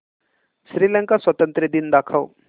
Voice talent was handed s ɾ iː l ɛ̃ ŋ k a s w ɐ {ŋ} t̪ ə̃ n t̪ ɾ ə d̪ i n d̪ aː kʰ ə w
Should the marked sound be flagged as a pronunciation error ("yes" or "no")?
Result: yes